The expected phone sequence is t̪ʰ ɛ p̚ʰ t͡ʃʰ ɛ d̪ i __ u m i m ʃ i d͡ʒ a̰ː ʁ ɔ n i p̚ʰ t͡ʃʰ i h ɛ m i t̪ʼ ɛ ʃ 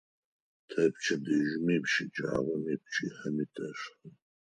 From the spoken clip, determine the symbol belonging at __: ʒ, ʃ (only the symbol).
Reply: ʒ